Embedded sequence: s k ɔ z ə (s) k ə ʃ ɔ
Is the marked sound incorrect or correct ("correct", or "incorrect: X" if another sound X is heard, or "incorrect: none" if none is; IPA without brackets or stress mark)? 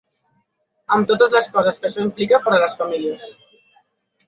correct